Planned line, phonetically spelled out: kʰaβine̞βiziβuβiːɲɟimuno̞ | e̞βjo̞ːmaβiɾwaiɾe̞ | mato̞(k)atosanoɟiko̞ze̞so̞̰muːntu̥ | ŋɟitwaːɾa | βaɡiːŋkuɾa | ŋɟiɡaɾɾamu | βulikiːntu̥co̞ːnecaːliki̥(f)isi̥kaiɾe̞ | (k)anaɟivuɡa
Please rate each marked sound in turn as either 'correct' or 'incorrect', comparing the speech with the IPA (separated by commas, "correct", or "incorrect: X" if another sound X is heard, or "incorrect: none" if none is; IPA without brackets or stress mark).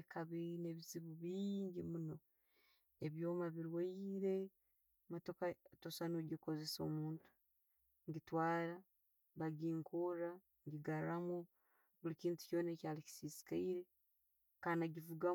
correct, incorrect: s, correct